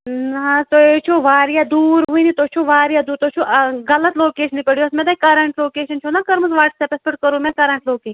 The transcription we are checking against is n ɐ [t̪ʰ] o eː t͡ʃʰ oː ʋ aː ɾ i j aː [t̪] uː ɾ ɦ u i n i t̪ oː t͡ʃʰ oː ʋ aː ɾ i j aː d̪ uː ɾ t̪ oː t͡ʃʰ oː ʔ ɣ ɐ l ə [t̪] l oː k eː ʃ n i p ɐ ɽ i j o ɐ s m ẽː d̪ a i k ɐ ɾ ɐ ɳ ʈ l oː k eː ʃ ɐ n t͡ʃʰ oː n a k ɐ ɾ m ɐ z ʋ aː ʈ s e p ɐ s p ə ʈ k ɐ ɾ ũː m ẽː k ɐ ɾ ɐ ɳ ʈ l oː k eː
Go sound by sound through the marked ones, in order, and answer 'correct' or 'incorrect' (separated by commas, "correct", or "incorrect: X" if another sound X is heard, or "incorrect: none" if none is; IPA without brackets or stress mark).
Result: incorrect: t̪, incorrect: d̪, correct